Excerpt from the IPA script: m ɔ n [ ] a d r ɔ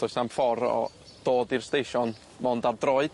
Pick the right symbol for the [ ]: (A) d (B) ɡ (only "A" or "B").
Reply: A